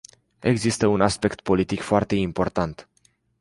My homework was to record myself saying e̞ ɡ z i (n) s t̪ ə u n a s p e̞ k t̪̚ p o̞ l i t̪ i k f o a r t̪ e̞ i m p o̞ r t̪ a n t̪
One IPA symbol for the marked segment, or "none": none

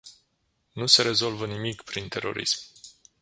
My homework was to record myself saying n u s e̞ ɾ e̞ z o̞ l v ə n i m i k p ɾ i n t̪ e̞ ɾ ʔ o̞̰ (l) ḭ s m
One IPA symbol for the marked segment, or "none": ɾ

